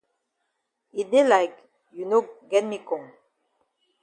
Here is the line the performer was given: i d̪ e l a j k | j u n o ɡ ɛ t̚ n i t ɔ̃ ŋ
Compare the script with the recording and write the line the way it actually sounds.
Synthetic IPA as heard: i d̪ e l a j k | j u n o ɡ ɛ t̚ m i k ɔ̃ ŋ